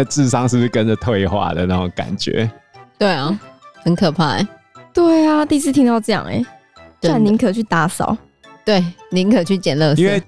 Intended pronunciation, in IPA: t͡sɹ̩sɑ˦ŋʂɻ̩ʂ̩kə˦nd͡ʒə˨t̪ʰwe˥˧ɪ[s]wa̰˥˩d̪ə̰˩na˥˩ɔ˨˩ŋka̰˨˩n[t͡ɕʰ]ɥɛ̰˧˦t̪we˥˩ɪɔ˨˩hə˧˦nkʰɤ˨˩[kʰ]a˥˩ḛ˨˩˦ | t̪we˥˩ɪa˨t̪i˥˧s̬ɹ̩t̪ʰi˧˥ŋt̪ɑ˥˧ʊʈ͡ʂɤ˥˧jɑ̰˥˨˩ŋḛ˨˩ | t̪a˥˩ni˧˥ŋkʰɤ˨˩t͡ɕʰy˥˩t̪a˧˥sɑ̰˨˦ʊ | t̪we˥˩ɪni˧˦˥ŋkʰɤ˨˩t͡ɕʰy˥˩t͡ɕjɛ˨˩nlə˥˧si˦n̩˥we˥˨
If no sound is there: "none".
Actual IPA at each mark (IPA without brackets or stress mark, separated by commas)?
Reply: x, t͡ɕ, pʰ